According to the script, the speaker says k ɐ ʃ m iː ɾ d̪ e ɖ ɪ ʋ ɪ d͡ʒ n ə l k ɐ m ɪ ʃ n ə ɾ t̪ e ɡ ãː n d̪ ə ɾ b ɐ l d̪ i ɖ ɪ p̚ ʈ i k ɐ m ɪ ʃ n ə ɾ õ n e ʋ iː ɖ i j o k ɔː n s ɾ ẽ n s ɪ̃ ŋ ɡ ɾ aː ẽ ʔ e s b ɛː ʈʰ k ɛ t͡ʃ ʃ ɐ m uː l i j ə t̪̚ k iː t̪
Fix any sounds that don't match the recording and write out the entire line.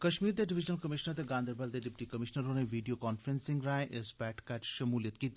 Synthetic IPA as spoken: k ɐ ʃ m iː ɾ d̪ e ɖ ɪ ʋ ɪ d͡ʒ n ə l k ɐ m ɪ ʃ n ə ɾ t̪ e ɡ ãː n d̪ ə ɾ b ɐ l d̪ e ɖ ɪ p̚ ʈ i k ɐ m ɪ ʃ n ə ɾ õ n e ʋ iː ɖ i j o k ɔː n f ɾ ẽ n s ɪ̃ ŋ ɡ ɾ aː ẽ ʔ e s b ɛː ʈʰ k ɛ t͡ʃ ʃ ɐ m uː l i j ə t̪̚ k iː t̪